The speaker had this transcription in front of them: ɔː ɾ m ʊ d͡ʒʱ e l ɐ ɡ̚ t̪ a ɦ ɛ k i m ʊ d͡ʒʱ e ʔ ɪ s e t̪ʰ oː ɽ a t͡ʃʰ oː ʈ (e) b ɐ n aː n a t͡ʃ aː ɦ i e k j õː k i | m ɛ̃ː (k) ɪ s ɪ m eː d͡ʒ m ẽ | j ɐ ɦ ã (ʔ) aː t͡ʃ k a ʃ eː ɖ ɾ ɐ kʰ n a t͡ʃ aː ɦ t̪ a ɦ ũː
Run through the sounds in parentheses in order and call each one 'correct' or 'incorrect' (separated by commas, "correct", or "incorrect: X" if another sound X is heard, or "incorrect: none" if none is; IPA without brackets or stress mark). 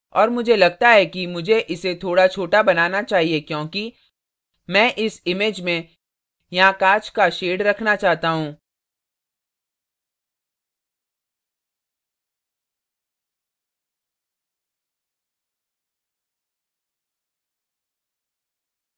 incorrect: a, incorrect: ʔ, incorrect: k